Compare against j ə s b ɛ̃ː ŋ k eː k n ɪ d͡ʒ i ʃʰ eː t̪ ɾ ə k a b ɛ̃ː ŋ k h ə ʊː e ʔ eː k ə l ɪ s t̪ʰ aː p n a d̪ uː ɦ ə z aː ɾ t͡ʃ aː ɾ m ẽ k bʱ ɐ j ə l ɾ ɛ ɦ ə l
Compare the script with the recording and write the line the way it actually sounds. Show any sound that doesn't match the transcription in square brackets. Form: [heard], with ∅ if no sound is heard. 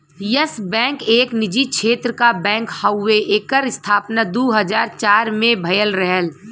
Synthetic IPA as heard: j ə s b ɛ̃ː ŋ k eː k n ɪ d͡ʒ i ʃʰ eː t̪ ɾ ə k a b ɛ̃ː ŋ k h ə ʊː e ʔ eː k ə [ɾ] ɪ s t̪ʰ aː p n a d̪ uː ɦ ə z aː ɾ t͡ʃ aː ɾ m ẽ [∅] bʱ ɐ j ə l ɾ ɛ ɦ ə l